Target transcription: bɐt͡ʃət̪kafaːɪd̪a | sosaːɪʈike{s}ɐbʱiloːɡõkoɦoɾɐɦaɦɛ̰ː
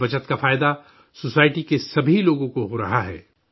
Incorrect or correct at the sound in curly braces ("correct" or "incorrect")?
correct